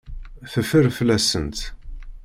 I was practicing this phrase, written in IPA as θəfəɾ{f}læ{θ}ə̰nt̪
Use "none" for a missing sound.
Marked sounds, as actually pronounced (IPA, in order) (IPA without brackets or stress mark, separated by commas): f, s